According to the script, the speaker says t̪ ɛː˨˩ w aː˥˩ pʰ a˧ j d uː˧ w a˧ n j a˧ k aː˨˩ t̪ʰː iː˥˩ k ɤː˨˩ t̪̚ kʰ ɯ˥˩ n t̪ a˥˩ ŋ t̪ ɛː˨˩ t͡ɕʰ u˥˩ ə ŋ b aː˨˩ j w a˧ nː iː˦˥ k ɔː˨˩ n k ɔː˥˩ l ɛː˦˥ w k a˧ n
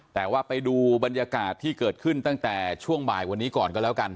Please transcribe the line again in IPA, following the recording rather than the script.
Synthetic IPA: t̪ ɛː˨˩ w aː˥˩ p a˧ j d uː˧ b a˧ n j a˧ k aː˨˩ t̪ʰː iː˥˩ k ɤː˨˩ t̪̚ kʰ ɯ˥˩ n t̪ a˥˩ ŋ t̪ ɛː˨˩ t͡ɕʰ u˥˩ ə ŋ b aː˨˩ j w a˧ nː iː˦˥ k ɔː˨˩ n k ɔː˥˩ l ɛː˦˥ w k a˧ n